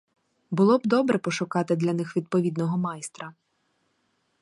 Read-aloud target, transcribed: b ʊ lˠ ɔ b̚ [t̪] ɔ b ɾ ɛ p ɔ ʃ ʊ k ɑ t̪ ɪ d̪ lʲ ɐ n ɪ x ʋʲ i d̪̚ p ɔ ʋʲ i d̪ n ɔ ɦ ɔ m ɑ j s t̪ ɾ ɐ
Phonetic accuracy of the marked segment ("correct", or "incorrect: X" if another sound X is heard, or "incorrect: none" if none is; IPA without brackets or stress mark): incorrect: d̪